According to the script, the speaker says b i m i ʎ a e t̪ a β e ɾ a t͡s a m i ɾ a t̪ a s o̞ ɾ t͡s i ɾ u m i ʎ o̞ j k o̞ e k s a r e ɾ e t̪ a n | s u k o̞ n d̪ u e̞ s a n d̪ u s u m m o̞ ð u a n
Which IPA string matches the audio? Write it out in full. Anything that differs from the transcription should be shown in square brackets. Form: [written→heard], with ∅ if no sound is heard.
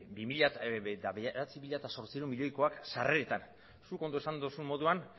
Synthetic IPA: b i m i ʎ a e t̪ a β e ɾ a t͡s [a→i] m i [ɾ→ʎ] a t̪ a s o̞ ɾ t͡s i ɾ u m i ʎ o̞ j k o̞ [e→a] k s a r e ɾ e t̪ a n | s u k o̞ n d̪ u e̞ s a n d̪ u s u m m o̞ ð u a n

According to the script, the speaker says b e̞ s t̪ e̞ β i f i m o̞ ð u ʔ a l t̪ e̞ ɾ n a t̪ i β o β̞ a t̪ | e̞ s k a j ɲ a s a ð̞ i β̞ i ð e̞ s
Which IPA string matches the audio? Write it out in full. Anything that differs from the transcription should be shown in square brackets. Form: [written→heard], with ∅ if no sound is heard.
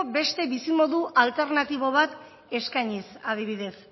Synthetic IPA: b e̞ s t̪ e̞ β i [f→s] i m o̞ ð u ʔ a l t̪ e̞ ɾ n a t̪ i β o β̞ a t̪ | e̞ s k a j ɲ [a→i] s a ð̞ i β̞ i ð e̞ s

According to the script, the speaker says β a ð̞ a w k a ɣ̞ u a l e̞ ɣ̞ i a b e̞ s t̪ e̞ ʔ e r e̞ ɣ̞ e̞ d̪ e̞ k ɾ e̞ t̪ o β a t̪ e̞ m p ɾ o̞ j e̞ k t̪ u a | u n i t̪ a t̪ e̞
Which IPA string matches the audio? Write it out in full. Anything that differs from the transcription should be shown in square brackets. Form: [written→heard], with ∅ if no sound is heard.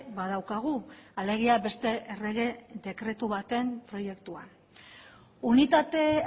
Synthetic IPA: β a ð̞ a w k a ɣ̞ u a l e̞ ɣ̞ i a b e̞ s t̪ e̞ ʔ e r e̞ ɣ̞ e̞ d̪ e̞ k ɾ e̞ t̪ [o→u] β a t̪ e̞ m p ɾ o̞ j e̞ k t̪ u a | u n i t̪ a t̪ e̞

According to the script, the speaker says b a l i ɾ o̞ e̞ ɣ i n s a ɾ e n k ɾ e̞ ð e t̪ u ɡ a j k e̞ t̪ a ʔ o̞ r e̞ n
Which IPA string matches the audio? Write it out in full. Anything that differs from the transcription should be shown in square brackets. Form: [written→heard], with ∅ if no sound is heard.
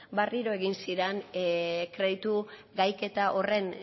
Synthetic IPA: b a [l→r] i ɾ o̞ e̞ ɣ i n s [a→i] ɾ e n k ɾ e̞ ð [e→i] t̪ u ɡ a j k e̞ t̪ a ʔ o̞ r e̞ n

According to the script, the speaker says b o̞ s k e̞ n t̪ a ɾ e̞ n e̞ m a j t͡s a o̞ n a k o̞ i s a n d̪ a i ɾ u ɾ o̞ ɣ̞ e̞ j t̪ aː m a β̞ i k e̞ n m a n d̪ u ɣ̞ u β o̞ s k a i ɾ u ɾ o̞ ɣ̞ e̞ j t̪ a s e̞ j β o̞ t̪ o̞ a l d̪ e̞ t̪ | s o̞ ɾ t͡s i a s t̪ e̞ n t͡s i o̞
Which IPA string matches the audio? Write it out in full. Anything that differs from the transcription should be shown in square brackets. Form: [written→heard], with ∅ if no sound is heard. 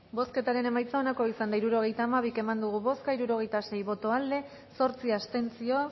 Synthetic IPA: b o̞ s k e̞ [n→∅] t̪ a ɾ e̞ n e̞ m a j t͡s a o̞ n a k o̞ i s a n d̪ a i ɾ u ɾ o̞ ɣ̞ e̞ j t̪ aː m a β̞ i k e̞ [n→∅] m a n d̪ u ɣ̞ u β o̞ s k a i ɾ u ɾ o̞ ɣ̞ e̞ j t̪ a s e̞ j β o̞ t̪ o̞ a l d̪ e̞ [t̪→∅] | s o̞ ɾ t͡s i a s t̪ e̞ n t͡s i o̞

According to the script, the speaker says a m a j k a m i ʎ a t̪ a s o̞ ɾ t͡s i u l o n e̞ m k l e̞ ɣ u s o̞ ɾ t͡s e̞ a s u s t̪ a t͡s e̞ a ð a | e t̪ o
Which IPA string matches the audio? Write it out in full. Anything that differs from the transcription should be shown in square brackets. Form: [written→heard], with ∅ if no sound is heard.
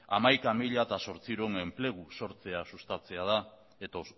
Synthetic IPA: a m a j k a m i ʎ a t̪ a s o̞ ɾ t͡s i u [l→ɾ] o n e̞ m [k→p] l e̞ ɣ u s o̞ ɾ t͡s e̞ a s u s t̪ a t͡s e̞ a ð a | e t̪ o

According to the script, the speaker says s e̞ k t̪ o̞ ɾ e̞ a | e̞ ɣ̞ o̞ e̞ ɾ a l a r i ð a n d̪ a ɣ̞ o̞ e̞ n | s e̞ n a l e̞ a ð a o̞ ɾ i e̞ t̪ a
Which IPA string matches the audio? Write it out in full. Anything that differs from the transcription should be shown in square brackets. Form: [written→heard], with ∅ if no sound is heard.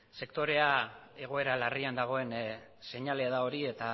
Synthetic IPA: s e̞ k t̪ o̞ ɾ e̞ a | e̞ ɣ̞ o̞ e̞ ɾ a l a r i [ð→∅] a n d̪ a ɣ̞ o̞ e̞ n | s e̞ [n→ɲ] a l e̞ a ð a o̞ ɾ i e̞ t̪ a

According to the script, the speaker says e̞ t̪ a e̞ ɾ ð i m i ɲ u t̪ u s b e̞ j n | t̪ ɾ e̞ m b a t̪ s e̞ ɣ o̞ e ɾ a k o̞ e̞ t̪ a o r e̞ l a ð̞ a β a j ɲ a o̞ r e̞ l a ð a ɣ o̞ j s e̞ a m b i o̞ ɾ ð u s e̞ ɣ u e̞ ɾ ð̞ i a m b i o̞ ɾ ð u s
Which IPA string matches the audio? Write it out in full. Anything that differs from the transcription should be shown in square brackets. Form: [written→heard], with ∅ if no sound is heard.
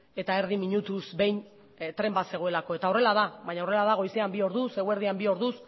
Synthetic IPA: e̞ t̪ a e̞ ɾ ð i m i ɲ u t̪ u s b e̞ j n | t̪ ɾ e̞ m b a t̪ s e̞ ɣ o̞ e [ɾ→l] a k o̞ e̞ t̪ a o r e̞ l a ð̞ a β a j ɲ a o̞ r e̞ l a ð a ɣ o̞ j s e̞ a m b i o̞ ɾ ð u s e̞ ɣ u e̞ ɾ ð̞ i a m b i o̞ ɾ ð u s

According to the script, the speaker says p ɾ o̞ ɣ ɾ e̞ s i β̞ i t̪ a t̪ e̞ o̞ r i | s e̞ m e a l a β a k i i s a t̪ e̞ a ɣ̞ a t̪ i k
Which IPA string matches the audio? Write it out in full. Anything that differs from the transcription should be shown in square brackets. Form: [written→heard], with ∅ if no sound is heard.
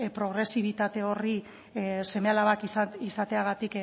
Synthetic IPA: p ɾ o̞ ɣ ɾ e̞ s i β̞ i t̪ a t̪ e̞ o̞ r i | s e̞ m e a l a β a k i i s a t̪ e̞ a ɣ̞ a t̪ i k

